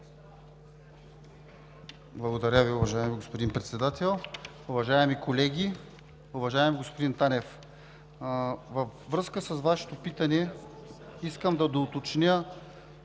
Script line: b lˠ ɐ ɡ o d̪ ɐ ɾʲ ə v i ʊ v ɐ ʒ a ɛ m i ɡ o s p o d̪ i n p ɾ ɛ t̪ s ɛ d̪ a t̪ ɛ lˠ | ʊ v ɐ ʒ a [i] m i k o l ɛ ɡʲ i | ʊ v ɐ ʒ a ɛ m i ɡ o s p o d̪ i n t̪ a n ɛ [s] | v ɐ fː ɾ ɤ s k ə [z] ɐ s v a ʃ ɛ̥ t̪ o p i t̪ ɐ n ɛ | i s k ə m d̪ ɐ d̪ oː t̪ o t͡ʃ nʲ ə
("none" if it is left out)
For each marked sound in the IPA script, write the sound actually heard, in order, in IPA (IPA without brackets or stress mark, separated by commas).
ɛ, f, s